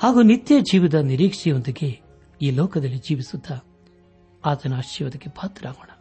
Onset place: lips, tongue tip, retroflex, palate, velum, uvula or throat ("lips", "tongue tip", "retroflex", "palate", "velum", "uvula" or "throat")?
throat